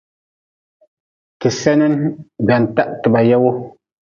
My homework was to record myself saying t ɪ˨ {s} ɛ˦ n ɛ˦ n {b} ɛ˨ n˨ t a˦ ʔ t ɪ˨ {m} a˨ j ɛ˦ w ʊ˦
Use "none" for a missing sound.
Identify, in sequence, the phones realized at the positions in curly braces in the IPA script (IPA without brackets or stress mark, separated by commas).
s, b, b